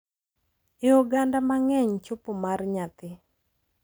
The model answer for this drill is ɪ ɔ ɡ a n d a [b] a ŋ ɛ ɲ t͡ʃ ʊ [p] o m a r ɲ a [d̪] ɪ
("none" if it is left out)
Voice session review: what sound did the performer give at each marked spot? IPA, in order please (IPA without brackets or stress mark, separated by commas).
m, p, t̪